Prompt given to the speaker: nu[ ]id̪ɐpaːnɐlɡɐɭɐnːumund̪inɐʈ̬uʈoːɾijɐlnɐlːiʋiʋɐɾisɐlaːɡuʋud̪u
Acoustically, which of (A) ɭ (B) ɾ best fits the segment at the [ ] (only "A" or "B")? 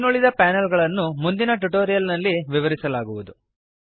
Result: A